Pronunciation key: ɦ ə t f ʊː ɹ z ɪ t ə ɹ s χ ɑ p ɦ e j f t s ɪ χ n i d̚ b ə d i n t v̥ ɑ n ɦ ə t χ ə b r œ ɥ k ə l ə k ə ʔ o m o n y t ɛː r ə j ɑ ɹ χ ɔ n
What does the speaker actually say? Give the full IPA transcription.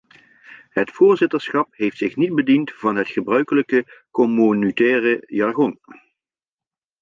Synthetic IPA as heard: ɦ ə t f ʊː ɹ z ɪ t ə ɹ s χ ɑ p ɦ e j f t s ɪ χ n i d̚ b ə d i n t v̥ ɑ n ɦ ə t χ ə b r œ ɥ k ə l ə k ə k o m o n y t ɛː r ə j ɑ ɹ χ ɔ n